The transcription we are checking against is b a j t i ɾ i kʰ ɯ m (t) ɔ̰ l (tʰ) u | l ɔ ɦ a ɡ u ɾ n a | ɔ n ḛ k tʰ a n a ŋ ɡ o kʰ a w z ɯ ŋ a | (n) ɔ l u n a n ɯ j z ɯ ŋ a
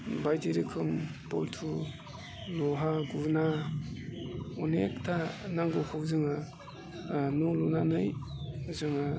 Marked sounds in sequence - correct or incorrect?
incorrect: p, correct, correct

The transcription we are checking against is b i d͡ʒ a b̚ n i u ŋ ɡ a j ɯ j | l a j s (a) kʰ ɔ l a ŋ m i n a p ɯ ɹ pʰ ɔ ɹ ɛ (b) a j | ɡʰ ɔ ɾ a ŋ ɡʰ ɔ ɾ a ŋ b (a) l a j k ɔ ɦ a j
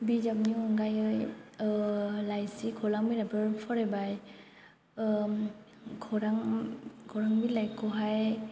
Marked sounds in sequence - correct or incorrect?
incorrect: i, correct, incorrect: i

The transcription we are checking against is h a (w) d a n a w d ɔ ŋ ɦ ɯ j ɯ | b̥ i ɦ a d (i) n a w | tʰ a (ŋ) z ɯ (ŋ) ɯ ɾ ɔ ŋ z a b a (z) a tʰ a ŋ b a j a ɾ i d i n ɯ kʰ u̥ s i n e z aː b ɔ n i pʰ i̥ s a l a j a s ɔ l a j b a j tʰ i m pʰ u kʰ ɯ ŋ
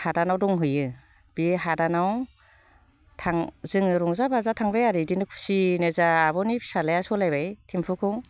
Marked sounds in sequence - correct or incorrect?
incorrect: none, incorrect: a, correct, correct, correct

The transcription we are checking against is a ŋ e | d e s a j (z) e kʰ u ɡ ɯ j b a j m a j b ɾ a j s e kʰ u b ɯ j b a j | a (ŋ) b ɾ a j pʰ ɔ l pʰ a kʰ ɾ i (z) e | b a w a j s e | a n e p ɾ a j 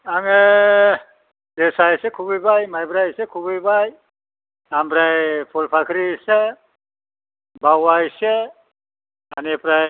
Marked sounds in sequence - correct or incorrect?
incorrect: s, incorrect: m, incorrect: s

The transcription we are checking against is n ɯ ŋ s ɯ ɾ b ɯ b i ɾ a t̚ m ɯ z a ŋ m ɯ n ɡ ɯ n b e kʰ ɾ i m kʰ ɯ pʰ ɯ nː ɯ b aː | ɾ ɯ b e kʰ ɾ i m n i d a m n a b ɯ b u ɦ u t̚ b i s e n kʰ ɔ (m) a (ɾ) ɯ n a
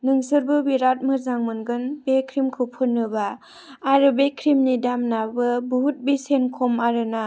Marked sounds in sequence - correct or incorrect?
correct, correct

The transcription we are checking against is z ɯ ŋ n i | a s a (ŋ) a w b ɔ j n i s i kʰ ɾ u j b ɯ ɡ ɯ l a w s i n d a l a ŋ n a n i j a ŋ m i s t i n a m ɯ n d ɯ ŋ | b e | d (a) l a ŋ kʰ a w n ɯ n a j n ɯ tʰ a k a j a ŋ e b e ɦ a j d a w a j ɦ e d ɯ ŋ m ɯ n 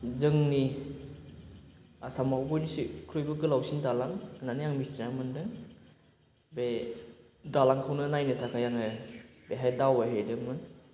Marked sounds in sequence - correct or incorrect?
incorrect: m, correct

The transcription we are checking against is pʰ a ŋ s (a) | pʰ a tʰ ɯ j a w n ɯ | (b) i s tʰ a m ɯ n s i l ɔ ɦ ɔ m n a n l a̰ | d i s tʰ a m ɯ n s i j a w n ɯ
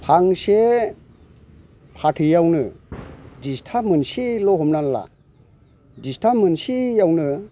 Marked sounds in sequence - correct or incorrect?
incorrect: e, incorrect: d

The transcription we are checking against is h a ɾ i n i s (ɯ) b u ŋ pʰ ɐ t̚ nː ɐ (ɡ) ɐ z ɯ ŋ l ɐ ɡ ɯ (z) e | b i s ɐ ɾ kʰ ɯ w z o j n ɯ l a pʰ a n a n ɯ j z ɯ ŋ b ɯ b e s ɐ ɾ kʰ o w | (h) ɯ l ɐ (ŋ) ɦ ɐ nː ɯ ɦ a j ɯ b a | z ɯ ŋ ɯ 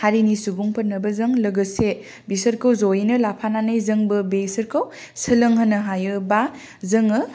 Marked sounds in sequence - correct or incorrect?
incorrect: u, incorrect: b, incorrect: s, incorrect: s, correct

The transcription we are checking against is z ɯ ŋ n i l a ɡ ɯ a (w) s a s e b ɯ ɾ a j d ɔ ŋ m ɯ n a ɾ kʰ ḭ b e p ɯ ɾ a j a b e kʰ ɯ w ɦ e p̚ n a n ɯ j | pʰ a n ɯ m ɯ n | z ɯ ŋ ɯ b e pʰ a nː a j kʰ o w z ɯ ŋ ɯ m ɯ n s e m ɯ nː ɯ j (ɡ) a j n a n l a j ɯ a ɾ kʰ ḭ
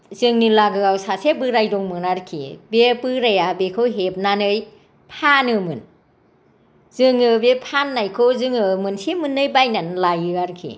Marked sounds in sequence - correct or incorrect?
correct, incorrect: b

